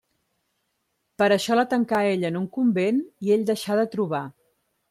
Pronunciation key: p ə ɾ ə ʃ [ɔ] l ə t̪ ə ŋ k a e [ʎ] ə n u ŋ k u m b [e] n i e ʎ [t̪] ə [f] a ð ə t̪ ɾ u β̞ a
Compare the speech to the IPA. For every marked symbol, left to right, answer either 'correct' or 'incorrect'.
correct, correct, correct, incorrect: d̪, incorrect: ʃ

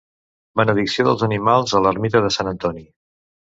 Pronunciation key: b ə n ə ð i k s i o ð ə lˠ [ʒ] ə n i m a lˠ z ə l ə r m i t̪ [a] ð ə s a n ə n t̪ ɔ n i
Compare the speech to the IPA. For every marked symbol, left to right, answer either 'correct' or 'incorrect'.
incorrect: z, incorrect: ə

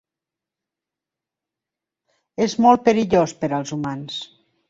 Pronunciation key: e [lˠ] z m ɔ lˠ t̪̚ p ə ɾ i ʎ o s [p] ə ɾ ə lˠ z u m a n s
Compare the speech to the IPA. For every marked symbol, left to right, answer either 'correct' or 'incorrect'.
incorrect: none, correct

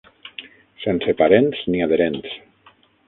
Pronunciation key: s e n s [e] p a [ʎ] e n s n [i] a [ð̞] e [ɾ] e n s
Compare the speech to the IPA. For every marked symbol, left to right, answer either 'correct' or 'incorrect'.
correct, incorrect: ɾ, correct, correct, correct

